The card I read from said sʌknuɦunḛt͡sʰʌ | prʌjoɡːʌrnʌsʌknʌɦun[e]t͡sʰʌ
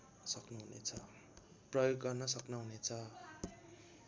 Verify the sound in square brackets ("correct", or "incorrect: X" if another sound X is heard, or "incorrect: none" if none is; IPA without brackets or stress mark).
correct